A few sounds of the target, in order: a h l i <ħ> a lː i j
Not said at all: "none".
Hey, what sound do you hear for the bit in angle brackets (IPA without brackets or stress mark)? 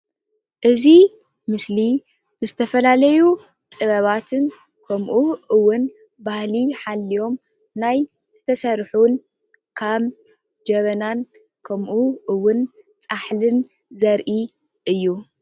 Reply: ħ